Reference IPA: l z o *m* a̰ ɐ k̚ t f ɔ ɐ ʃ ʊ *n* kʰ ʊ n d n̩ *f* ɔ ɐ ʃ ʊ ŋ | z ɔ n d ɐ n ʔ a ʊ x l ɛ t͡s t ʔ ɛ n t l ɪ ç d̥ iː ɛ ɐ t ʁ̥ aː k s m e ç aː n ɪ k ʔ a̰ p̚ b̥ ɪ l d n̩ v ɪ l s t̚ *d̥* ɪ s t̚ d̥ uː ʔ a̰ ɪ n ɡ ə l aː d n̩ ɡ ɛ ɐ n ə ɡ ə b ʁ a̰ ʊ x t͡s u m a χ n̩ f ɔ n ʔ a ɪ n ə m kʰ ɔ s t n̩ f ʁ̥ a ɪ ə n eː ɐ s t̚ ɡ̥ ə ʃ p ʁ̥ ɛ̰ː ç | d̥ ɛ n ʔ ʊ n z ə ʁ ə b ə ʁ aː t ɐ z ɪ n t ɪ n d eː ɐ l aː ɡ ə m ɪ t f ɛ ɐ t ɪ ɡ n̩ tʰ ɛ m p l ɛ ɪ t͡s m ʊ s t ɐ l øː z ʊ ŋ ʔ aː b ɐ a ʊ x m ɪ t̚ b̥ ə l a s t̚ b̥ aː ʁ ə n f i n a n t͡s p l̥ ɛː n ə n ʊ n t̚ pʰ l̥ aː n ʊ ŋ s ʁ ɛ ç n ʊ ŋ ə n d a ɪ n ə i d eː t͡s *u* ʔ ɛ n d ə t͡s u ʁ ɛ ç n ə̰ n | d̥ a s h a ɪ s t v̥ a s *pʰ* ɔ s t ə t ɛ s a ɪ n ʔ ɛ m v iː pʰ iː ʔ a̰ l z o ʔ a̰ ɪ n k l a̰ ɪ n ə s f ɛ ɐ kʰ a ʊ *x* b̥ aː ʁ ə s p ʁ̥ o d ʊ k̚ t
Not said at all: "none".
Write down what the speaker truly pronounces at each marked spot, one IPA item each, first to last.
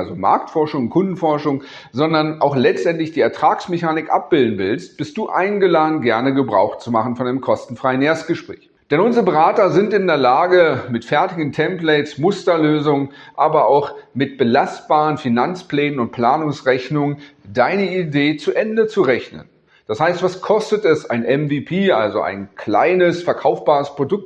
m, ŋ, f, b̥, u, kʰ, f

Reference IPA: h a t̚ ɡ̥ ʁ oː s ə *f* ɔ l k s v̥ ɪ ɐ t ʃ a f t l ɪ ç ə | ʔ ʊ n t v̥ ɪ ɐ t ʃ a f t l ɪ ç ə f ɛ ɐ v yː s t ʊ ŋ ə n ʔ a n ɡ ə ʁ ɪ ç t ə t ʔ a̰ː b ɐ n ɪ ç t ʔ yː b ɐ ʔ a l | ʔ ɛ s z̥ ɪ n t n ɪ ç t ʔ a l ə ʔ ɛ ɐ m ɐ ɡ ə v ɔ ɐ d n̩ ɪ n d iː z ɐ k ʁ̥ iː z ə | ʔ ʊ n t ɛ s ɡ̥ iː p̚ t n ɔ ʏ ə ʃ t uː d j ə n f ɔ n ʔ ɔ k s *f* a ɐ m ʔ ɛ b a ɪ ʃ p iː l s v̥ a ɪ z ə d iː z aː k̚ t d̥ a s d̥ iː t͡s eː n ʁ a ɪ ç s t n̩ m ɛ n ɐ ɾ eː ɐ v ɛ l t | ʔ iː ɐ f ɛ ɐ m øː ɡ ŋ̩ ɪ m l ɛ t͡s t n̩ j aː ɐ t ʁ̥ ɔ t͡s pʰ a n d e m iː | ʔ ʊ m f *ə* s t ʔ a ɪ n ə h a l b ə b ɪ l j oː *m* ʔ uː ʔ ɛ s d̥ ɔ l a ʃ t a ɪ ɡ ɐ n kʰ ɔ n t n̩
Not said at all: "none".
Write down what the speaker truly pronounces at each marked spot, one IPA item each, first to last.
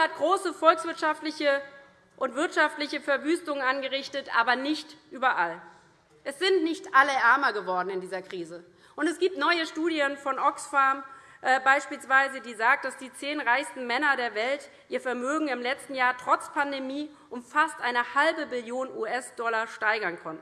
f, f, a, n

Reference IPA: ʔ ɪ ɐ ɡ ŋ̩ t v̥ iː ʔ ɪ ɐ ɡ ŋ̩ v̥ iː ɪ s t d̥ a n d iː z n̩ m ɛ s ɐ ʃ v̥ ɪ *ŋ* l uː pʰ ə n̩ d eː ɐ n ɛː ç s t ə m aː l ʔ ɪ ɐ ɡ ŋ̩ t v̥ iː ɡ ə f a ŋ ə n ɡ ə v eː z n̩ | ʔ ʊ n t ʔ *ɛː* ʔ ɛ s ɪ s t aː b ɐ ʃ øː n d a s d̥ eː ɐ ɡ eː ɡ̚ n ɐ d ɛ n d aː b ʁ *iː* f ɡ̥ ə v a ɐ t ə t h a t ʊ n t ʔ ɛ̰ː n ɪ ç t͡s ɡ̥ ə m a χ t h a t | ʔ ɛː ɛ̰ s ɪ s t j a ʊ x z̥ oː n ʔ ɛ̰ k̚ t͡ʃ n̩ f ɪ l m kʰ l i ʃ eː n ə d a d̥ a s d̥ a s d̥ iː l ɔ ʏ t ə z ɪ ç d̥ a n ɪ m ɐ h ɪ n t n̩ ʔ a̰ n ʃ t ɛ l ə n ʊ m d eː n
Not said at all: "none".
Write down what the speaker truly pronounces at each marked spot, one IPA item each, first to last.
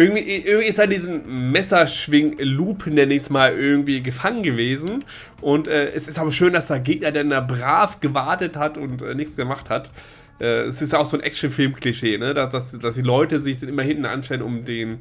ŋ, ɛː, aː

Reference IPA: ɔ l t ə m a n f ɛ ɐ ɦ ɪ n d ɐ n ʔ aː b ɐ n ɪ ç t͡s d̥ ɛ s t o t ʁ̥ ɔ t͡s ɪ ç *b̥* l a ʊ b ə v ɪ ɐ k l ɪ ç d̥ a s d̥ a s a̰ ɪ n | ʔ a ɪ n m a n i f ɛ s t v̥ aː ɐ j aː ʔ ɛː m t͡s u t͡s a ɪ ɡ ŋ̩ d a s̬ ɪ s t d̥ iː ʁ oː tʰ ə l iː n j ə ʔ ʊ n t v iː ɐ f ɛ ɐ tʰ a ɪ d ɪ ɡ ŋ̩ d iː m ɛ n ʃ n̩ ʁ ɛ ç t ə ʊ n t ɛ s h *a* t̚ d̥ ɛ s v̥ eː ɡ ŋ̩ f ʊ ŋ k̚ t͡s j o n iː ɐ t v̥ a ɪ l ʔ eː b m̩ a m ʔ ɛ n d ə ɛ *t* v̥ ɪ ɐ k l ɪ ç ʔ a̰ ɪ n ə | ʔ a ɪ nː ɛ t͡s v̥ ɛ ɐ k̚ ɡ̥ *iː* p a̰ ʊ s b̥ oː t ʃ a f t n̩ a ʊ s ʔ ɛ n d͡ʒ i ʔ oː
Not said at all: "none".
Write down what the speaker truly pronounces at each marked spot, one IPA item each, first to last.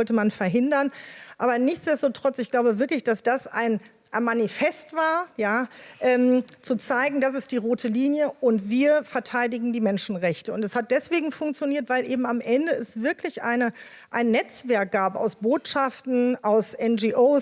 ɡ̥, a, s, aː

